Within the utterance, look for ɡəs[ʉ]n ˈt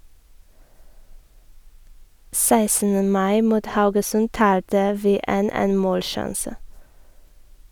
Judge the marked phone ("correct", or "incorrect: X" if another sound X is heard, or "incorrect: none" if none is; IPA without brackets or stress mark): correct